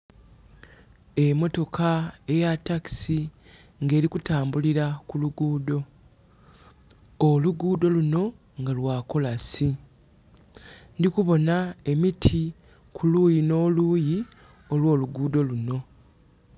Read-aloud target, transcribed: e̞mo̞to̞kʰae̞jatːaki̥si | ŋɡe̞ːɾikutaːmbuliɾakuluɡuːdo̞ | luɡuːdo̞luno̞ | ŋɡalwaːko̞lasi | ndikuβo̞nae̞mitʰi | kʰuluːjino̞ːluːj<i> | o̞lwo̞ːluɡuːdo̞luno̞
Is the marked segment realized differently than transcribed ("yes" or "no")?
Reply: no